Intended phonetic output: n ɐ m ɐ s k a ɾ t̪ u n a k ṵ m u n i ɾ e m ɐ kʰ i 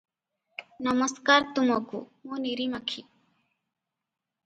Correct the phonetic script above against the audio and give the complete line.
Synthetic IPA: n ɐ m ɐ s k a ɾ t̪ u m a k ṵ m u n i ɾ i m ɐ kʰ i

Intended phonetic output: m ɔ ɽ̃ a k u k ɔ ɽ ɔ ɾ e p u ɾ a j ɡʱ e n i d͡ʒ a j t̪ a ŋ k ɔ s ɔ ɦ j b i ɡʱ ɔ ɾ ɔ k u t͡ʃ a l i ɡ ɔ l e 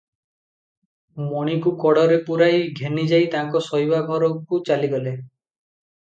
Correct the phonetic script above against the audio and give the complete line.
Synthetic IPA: m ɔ ɽ̃ i k u k ɔ ɽ ɔ ɾ e p u ɾ a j ɡʱ e n i d͡ʒ a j t̪ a ŋ k ɔ s ɔ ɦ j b a ɡʱ ɔ ɾ ɔ k u t͡ʃ a l i ɡ ɔ l e

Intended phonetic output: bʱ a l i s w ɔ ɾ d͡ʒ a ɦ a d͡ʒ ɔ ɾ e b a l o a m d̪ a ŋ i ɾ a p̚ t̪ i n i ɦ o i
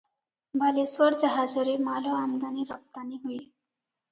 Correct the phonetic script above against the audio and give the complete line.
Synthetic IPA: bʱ a l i s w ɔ ɾ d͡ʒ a ɦ a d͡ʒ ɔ ɾ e m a l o a m d̪ a n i ɾ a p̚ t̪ a n i ɦ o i

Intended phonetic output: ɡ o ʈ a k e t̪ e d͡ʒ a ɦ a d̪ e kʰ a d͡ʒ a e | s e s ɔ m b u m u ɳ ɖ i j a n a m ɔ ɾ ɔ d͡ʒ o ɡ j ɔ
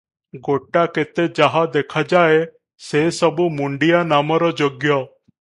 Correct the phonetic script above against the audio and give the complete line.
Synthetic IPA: ɡ o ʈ a k e t̪ e d͡ʒ a ɦ a d̪ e kʰ a d͡ʒ a e | s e s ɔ b u m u ɳ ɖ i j a n a m ɔ ɾ ɔ d͡ʒ o ɡ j ɔ

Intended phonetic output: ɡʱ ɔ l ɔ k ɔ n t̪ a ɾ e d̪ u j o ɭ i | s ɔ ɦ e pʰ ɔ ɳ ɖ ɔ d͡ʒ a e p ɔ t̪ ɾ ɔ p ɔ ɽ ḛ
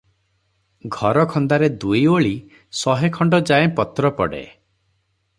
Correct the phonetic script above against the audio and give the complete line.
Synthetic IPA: ɡʱ ɔ ɾ ɔ kʰ ɔ n d̪ a ɾ e d̪ u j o ɭ i | s ɔ ɦ e kʰ ɔ ɳ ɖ ɔ d͡ʒ a e p ɔ t̪ ɾ ɔ p ɔ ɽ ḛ

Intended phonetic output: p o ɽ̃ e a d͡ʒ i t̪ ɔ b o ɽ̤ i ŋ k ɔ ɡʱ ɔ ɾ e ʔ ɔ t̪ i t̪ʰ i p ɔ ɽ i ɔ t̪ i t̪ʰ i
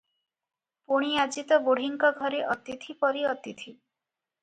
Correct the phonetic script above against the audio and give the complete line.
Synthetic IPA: p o ɽ̃ i a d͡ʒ i t̪ ɔ b o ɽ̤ i ŋ k ɔ ɡʱ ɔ ɾ e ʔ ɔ t̪ i t̪ʰ i p ɔ ɾ i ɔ t̪ i t̪ʰ i

